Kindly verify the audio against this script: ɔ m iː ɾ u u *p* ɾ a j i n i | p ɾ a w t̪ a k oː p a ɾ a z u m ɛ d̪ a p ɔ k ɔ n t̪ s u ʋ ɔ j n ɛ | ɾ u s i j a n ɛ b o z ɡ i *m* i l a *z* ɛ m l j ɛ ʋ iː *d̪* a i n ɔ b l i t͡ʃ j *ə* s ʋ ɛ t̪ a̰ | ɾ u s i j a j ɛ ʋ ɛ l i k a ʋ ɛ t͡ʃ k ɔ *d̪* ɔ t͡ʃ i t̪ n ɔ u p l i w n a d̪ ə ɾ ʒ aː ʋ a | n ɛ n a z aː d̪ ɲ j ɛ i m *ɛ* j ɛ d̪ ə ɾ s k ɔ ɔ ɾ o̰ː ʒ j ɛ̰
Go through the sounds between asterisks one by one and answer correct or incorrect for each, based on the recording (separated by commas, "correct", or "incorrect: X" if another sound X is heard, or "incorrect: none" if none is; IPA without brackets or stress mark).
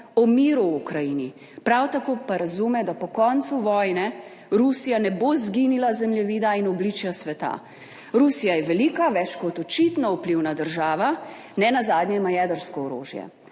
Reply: incorrect: k, incorrect: n, correct, correct, incorrect: a, incorrect: t̪, incorrect: a